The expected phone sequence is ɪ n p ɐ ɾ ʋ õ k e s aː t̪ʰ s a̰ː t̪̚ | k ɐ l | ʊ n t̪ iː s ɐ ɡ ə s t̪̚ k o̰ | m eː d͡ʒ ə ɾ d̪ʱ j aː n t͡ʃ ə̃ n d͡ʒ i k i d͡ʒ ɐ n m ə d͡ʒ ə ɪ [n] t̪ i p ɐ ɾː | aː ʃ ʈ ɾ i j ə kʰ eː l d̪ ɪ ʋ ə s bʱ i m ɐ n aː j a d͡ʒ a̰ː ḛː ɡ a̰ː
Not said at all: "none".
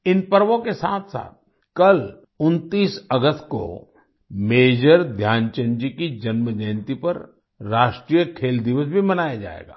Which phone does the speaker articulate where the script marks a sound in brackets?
n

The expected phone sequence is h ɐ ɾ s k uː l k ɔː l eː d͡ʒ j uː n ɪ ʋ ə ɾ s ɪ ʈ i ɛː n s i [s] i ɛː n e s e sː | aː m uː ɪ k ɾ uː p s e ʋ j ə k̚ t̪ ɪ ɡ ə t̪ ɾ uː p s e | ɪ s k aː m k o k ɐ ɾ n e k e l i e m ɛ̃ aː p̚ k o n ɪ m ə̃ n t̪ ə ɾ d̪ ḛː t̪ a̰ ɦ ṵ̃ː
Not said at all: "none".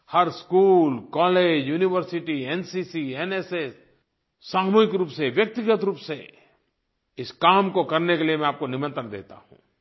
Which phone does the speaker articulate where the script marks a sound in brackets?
s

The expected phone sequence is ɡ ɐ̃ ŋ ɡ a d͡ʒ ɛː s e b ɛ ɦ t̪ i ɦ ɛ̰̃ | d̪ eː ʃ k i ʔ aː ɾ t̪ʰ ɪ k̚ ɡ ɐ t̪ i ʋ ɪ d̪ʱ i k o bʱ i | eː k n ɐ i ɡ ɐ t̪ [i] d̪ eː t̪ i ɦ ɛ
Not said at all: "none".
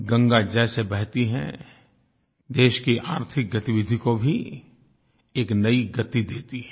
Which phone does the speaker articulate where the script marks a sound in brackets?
i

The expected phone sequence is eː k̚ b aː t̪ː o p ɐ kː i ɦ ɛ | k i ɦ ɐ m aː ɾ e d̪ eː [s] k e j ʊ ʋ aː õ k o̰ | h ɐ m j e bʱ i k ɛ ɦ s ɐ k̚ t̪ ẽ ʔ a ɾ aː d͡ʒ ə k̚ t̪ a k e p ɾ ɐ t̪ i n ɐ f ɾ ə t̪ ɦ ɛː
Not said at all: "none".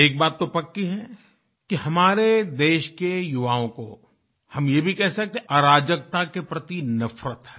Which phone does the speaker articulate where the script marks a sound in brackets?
ʃ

